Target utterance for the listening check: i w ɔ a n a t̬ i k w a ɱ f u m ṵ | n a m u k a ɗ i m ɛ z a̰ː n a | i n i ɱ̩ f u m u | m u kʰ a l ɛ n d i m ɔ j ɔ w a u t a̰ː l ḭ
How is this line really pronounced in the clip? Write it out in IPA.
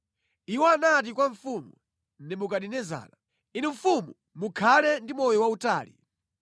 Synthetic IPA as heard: i w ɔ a n a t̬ i k w a ɱ f u m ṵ | n ɛ m u k a ɗ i n ɛ z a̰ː n a | i n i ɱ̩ f u m u | m u kʰ a l ɛ n d i m ɔ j ɔ w a u t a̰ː l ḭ

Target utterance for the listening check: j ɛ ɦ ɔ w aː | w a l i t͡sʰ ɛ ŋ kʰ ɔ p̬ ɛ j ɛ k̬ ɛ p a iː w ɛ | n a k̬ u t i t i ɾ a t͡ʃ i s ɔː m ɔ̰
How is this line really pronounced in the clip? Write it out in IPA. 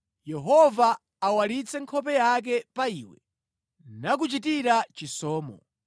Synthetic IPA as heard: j ɛ ɦ ɔ v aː | w a l i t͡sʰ ɛ ŋ kʰ ɔ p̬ ɛ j a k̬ ɛ p a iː w ɛ | n a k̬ u t͡ʃ i t i ɾ a t͡ʃ i s ɔː m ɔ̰

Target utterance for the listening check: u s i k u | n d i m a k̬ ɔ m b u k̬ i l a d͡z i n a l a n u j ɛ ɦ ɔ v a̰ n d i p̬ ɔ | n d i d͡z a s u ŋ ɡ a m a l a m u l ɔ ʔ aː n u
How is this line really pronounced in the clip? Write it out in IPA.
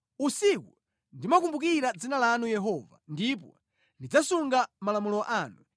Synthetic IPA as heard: u s i k u | n d i m a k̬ u m b u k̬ i ɾ a d͡z i n a l a n u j ɛ ɦ ɔ v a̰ n d i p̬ ɔ | n d i d͡z a s u ŋ ɡ a m a l a m u l ɔ ʔ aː n u

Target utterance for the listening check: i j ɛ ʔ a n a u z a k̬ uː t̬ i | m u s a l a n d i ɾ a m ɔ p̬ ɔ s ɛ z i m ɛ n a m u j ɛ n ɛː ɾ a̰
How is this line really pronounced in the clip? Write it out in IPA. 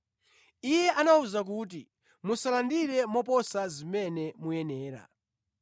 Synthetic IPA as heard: i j ɛ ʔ a n a u z a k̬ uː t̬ i | m u s a l a n d i ɾ ɛ m ɔ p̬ ɔ s a z i m ɛ n ɛ m u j ɛ n ɛː ɾ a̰

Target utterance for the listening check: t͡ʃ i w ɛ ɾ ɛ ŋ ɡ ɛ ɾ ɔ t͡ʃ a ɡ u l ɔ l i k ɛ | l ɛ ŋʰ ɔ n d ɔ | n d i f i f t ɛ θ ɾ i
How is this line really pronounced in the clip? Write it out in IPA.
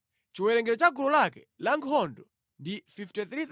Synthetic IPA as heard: t͡ʃ i w ɛ ɾ ɛ ŋ ɡ ɛ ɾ ɔ t͡ʃ a ɡ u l ɔ l a k ɛ | l a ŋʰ ɔ n d ɔ | n d i f i f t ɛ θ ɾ i

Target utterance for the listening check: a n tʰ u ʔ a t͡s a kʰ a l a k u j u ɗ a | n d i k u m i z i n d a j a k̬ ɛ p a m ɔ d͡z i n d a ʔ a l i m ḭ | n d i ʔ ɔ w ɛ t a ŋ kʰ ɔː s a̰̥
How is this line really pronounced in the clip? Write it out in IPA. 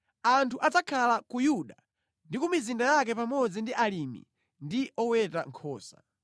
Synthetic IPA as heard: a n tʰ u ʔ a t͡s a kʰ a l a k u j u ɗ a | n d i k u m i z i n d a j a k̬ ɛ p a m ɔ d͡z i n d i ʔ a l i m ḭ | n d i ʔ ɔ w ɛ t a ŋ kʰ ɔː s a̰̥

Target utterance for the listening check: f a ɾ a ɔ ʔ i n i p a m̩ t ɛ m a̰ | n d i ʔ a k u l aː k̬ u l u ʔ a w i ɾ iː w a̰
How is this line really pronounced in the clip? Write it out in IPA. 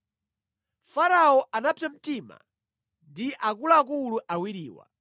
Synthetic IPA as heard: f a ɾ a ɔ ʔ a n a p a m̩ t i m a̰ | n d i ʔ a k u l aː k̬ u l u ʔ a w i ɾ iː w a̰

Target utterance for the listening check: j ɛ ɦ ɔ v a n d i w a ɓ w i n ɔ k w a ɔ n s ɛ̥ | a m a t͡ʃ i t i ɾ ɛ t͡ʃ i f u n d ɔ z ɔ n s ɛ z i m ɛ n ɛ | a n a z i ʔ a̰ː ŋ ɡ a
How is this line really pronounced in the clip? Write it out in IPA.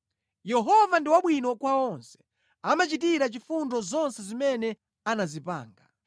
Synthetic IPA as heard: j ɛ ɦ ɔ v a n d i w a ɓ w i n ɔ k w a ɔ n s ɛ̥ | a m a t͡ʃ i t i ɾ a t͡ʃ i f u n d ɔ z ɔ n s ɛ z i m ɛ n ɛ | a n a z i p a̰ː ŋ ɡ a

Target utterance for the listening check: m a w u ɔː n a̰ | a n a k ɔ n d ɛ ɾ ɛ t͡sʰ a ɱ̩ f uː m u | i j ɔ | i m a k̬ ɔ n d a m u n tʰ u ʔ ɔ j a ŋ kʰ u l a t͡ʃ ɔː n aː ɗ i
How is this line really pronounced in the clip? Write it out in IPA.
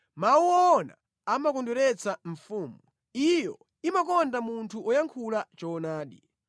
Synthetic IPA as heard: m a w u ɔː n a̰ | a m a k ɔ n d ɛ ɾ ɛ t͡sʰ a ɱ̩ f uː m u | i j ɔ | i m a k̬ ɔ n d a m u n tʰ u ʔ ɔ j a ŋ kʰ u l a t͡ʃ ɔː n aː ɗ i

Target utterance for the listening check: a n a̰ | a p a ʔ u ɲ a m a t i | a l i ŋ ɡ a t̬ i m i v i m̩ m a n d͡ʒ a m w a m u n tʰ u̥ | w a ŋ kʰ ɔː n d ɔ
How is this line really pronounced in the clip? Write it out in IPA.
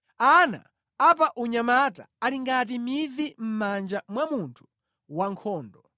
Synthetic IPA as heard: a n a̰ | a p a ʔ u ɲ a m a t a | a l i ŋ ɡ a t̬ i m i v i m̩ m a n d͡ʒ a m w a m u n tʰ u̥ | w a ŋ kʰ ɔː n d ɔ

